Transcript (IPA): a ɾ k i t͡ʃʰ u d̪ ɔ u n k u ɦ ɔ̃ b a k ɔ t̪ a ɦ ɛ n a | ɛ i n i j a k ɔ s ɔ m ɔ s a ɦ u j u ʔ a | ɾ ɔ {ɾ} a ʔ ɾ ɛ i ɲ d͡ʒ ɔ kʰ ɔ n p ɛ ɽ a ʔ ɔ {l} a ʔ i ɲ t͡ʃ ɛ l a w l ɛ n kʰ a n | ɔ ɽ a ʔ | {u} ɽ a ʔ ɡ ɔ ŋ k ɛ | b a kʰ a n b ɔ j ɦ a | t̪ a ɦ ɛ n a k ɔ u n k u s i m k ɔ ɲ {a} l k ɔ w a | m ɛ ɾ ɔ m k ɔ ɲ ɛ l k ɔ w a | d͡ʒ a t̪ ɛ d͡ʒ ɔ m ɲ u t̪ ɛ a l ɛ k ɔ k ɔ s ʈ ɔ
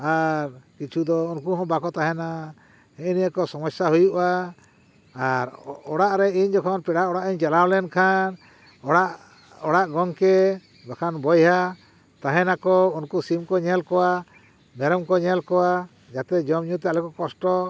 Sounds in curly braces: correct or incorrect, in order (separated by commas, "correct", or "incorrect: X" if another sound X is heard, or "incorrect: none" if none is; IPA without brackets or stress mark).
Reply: incorrect: ɽ, incorrect: ɽ, incorrect: ɔ, incorrect: ɛ